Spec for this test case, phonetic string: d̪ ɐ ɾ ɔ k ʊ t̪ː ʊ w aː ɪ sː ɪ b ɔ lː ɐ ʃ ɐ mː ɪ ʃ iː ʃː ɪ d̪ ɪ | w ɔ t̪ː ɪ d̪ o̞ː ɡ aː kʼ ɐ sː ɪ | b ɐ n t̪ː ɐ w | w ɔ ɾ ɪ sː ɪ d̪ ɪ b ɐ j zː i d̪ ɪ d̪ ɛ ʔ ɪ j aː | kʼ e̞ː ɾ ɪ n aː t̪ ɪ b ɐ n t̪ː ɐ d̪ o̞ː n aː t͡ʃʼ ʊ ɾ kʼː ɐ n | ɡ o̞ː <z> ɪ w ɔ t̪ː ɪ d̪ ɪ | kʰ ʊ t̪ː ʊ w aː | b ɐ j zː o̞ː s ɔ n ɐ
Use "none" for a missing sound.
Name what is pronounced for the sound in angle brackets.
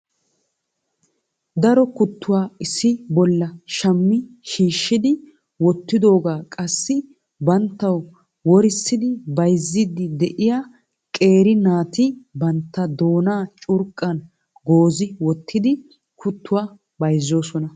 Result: z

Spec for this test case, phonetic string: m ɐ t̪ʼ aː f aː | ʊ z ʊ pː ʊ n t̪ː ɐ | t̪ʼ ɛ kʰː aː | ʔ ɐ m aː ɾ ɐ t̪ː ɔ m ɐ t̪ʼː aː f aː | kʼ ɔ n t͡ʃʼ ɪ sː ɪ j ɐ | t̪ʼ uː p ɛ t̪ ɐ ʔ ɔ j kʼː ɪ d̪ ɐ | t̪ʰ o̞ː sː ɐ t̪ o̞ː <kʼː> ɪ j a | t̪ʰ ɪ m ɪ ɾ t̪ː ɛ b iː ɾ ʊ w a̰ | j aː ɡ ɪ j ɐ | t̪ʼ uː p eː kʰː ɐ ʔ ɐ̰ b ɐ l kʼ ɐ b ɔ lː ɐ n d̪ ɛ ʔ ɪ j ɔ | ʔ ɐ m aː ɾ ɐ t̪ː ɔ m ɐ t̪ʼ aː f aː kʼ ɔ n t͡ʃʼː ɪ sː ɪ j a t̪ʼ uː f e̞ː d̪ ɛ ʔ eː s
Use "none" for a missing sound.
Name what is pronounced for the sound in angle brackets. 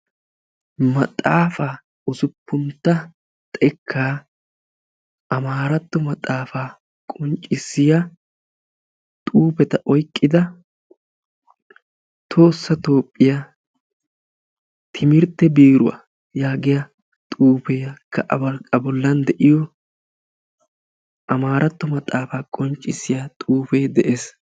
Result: pʼː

